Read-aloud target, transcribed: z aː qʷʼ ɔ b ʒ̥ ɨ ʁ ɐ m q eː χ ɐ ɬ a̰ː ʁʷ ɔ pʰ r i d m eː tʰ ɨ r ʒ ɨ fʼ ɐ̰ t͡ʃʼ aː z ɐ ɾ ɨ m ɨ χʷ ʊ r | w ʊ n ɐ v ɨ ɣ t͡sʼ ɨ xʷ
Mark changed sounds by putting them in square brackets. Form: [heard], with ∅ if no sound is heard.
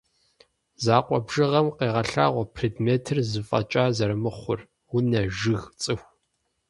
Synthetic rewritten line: z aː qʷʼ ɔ b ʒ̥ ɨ ʁ ɐ m q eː [ʁ] ɐ ɬ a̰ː ʁʷ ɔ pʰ r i d m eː tʰ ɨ r [z] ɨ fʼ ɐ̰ t͡ʃʼ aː z ɐ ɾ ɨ m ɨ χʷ ʊ r | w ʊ n ɐ [ʒ] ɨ ɣ t͡sʼ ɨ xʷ